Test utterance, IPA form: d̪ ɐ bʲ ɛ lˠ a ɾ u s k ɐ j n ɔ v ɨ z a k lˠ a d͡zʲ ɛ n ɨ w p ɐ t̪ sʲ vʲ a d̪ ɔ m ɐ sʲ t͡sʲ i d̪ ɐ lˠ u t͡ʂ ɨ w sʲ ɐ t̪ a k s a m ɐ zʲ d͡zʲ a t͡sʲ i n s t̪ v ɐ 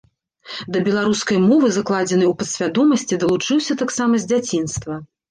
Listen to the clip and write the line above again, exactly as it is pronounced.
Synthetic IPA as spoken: d̪ ɐ bʲ ɛ lˠ a ɾ u s k ɐ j m ɔ v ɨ z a k lˠ a d͡zʲ ɛ n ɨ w p ɐ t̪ sʲ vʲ a d̪ ɔ m ɐ sʲ t͡sʲ i d̪ ɐ lˠ u t͡ʂ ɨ w sʲ ɐ t̪ a k s a m ɐ zʲ d͡zʲ a t͡sʲ i n s t̪ v ɐ

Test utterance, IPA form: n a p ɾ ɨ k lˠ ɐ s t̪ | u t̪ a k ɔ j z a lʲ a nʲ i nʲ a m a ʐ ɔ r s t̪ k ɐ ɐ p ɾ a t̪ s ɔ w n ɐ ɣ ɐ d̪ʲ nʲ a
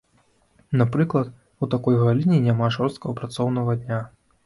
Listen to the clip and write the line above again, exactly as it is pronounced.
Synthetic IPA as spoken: n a p ɾ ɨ k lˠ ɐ t̪ | u t̪ a k ɔ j ɣ a lʲ i nʲ i nʲ a m a ʐ ɔ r s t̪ k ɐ ɐ p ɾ a t̪ s ɔ w n ɐ ɣ ɐ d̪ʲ nʲ a

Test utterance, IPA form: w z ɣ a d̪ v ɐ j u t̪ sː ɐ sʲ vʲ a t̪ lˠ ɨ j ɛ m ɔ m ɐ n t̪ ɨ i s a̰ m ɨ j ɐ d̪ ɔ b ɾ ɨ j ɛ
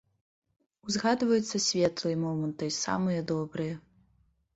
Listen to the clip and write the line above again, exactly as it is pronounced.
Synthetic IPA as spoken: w z ɣ a d̪ v ɐ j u t̪ sː ɐ sʲ vʲ ɛ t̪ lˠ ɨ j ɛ m ɔ m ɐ n t̪ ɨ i s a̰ m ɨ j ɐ d̪ ɔ b ɾ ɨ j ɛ

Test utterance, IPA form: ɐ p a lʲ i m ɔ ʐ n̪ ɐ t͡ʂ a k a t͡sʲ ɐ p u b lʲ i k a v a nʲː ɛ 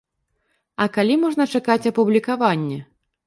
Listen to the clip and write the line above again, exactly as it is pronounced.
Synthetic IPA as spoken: ɐ k a lʲ i m ɔ ʐ n̪ ɐ t͡ʂ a k a t͡sʲ ɐ p u b lʲ i k a v a nʲː ɛ

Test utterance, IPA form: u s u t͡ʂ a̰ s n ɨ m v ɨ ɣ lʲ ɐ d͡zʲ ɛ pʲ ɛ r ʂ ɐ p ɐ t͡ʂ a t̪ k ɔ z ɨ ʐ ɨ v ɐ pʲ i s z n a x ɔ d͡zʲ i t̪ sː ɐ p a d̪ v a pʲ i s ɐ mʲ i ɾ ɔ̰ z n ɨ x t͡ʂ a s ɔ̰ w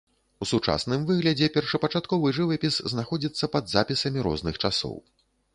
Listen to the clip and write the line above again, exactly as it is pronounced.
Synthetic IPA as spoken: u s u t͡ʂ a̰ s n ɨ m v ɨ ɣ lʲ ɐ d͡zʲ ɛ pʲ ɛ r ʂ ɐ p ɐ t͡ʂ a t̪ k ɔ v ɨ ʐ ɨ v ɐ pʲ i s z n a x ɔ d͡zʲ i t̪ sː ɐ p ɐ d̪ z a pʲ i s ɐ mʲ i ɾ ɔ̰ z n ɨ x t͡ʂ a s ɔ̰ w

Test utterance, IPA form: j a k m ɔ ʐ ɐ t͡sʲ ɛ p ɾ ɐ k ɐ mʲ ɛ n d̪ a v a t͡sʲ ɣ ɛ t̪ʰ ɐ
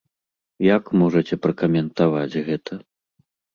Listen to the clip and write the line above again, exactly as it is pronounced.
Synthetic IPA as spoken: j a k m ɔ ʐ ɐ t͡sʲ ɛ p ɾ ɐ k ɐ mʲ ɛ n t̪ a v a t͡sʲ ɣ ɛ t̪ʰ ɐ

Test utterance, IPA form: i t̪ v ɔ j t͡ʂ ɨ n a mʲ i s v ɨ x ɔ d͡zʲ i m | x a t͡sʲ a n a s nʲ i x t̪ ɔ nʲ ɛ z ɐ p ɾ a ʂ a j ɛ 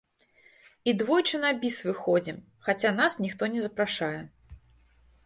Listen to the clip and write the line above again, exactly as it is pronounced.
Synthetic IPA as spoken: i d̪ v ɔ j t͡ʂ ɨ n a bʲ i s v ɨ x ɔ d͡zʲ i m | x a t͡sʲ a n a s nʲ i x t̪ ɔ nʲ ɛ z ɐ p ɾ a ʂ a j ɛ

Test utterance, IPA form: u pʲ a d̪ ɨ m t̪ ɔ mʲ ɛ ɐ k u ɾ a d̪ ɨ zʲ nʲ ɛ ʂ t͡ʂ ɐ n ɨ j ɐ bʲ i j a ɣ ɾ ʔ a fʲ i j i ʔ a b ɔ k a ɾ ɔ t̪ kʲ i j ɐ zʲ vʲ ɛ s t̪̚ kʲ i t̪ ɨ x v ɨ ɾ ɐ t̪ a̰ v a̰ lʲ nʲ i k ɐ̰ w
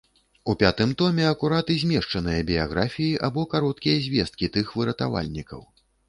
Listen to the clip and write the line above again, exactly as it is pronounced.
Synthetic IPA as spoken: u pʲ a t̪ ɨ m t̪ ɔ mʲ ɛ ɐ k u ɾ a t̪ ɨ zʲ mʲ ɛ ʂ t͡ʂ ɐ n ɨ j ɐ bʲ i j a ɣ ɾ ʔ a fʲ i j i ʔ a b ɔ k a ɾ ɔ t̪ kʲ i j ɐ zʲ vʲ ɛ s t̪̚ kʲ i t̪ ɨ x v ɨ ɾ ɐ t̪ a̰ v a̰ lʲ nʲ i k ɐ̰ w

